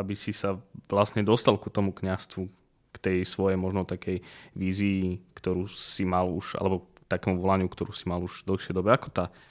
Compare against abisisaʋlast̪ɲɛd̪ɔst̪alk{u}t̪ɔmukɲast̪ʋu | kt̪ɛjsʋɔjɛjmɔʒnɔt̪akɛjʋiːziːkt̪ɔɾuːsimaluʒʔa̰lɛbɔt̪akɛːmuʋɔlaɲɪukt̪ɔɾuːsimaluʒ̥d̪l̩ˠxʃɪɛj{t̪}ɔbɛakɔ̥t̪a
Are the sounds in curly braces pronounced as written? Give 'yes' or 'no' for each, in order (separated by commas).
yes, no